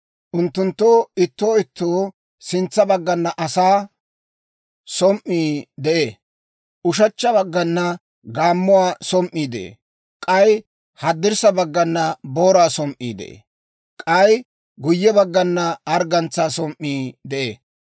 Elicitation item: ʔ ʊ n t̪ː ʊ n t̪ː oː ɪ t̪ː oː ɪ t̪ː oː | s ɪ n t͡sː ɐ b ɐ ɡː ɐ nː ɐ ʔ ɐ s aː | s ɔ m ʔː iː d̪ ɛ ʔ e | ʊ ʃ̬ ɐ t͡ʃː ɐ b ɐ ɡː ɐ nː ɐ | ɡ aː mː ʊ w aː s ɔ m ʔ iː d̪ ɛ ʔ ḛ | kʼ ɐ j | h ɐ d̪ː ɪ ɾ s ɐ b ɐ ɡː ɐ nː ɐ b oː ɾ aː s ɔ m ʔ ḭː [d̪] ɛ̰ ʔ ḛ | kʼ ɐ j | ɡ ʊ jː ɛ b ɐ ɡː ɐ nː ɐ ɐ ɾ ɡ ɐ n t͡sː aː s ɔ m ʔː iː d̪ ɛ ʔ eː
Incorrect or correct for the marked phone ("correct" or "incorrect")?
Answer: correct